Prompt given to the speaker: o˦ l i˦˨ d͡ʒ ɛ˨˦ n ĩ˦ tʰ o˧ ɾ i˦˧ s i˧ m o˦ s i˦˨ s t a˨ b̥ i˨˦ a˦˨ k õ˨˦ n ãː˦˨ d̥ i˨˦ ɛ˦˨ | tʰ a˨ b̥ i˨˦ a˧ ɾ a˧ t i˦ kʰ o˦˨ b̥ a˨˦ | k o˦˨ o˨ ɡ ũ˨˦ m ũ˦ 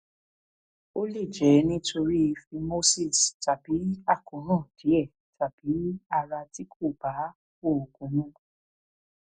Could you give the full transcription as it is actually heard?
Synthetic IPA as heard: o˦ l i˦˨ d͡ʒ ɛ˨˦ n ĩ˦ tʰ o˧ ɾ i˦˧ f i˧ m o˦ s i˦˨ s t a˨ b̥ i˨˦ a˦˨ k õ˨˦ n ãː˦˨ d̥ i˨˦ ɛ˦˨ | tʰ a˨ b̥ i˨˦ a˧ ɾ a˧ t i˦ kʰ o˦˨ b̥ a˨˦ | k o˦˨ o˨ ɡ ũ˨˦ n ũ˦